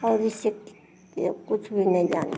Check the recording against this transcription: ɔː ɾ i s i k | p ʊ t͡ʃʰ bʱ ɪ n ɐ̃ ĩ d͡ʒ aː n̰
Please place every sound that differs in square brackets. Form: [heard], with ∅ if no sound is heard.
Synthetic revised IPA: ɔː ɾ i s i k | [k] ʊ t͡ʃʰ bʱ [i] n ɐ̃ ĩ d͡ʒ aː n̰